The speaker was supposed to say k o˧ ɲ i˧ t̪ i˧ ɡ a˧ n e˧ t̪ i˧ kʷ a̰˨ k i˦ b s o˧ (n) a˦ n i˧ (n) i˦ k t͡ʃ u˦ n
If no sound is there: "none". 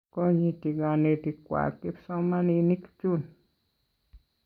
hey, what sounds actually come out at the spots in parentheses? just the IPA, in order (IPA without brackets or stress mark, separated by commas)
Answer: m, n